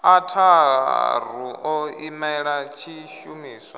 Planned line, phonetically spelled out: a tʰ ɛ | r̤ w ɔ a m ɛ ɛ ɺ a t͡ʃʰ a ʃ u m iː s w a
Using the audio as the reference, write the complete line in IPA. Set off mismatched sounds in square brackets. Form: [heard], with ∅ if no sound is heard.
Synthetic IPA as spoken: a tʰ [a] | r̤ [u] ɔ [i] m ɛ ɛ ɺ a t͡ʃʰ [i] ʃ u m iː s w a

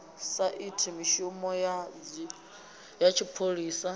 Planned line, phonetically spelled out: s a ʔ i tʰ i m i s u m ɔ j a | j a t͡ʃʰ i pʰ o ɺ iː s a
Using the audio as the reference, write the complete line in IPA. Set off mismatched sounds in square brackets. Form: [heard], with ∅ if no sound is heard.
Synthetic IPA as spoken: s a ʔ i tʰ i m i [ʃ] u m ɔ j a | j a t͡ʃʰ i pʰ o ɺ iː s a

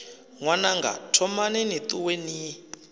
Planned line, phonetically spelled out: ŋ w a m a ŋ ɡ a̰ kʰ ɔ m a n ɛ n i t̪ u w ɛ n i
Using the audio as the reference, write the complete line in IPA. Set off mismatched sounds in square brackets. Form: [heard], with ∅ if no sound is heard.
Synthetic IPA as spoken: ŋ w a [n] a ŋ ɡ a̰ [tʰ] ɔ m a n ɛ n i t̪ u w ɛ n i

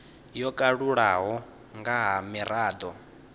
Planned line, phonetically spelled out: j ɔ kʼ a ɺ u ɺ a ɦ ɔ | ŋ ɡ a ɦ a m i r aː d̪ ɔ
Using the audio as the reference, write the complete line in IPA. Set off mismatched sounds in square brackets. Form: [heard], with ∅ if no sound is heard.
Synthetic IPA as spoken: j ɔ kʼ a ɺ u ɺ a ɦ ɔ | ŋ ɡ a ɦ a m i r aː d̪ ɔ

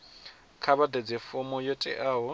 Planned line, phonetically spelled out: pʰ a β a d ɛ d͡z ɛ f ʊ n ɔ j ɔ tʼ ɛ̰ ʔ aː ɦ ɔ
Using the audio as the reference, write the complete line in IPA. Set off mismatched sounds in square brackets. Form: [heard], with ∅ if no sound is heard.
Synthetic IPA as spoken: [kʰ] a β a d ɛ d͡z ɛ f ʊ [m] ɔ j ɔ tʼ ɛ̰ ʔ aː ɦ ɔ

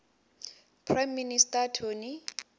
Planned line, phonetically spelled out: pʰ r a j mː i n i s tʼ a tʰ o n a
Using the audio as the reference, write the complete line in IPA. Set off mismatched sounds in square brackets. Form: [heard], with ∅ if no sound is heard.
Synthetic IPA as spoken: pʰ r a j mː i n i s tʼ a tʰ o n [i]

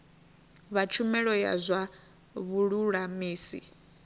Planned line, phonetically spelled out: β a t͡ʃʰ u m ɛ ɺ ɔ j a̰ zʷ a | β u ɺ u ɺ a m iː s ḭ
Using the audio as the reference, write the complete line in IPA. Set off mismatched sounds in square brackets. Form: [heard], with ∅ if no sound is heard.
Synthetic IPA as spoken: β a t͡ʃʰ u m ɛ ɺ ɔ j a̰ zʷ a | β u ɺ u ɺ a m iː s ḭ

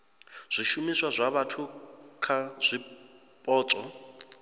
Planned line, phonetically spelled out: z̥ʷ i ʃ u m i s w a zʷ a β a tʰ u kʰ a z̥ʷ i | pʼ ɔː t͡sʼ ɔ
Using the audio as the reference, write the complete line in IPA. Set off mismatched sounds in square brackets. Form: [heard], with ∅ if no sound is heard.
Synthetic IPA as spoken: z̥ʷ i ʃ u m i s w a zʷ a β a tʰ u kʰ a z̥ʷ i | pʼ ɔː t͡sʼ ɔ

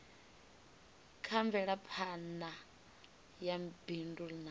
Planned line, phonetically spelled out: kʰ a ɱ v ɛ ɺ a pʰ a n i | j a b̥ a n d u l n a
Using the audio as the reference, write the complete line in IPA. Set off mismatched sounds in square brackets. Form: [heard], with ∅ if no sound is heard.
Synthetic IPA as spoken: kʰ a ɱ v ɛ ɺ a pʰ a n [a] | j a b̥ [i] n d u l n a

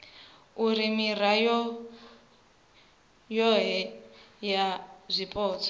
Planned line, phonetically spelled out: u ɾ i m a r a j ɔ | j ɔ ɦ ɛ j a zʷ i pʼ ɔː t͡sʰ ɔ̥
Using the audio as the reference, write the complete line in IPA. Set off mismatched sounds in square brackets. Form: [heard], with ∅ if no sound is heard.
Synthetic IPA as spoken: u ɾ i m [i] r a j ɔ | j ɔ ɦ ɛ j a zʷ i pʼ ɔː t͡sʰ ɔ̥

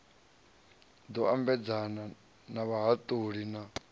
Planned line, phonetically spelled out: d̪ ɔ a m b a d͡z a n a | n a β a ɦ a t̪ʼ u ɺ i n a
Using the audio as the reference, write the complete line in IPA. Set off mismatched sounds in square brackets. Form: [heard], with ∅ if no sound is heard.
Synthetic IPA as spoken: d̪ ɔ a m b [ɛ] d͡z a n a | n a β a ɦ a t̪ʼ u ɺ i n a

